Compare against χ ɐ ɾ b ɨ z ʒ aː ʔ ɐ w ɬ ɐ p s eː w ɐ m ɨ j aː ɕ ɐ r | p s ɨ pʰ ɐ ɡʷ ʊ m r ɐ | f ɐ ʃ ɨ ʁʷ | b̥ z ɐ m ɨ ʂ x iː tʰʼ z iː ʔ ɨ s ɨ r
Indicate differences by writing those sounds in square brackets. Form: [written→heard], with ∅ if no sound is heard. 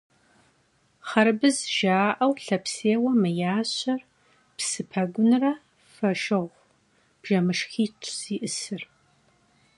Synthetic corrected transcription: χ ɐ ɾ b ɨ z ʒ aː ʔ ɐ w ɬ ɐ p s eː w ɐ m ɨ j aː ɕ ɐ r | p s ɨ pʰ ɐ ɡʷ ʊ [m→n] r ɐ | f ɐ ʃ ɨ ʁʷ | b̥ [z→ʒ] ɐ m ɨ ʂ x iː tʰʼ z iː ʔ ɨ s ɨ r